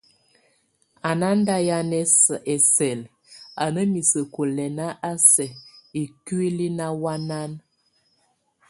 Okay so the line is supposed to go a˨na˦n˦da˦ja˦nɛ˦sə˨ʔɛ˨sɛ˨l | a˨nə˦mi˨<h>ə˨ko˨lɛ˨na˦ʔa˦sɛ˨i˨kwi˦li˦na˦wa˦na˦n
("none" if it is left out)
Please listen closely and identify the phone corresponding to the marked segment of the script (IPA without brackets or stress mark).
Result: s